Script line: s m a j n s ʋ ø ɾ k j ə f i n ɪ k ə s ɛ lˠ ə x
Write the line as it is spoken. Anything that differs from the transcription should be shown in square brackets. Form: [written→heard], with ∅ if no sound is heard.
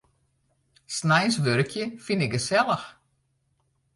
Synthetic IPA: s [m→n] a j n s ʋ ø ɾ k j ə f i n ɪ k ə s ɛ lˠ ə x